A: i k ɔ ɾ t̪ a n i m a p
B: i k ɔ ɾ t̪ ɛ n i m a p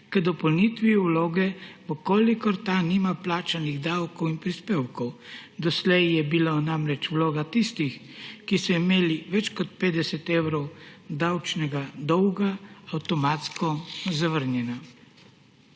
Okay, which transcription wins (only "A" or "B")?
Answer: A